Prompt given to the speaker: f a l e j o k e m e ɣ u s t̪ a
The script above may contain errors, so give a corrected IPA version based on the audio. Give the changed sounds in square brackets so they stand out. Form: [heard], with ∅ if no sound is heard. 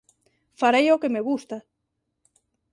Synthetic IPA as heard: f a [ɾ] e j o k e m e ɣ u s t̪ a